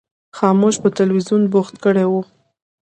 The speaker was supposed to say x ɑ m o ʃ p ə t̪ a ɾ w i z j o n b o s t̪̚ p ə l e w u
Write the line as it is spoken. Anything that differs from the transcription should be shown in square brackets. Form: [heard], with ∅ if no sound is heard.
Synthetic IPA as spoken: x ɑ m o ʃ p ə t̪ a [l] w i z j [u] n b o [x] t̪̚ [k] ə [ɽ] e w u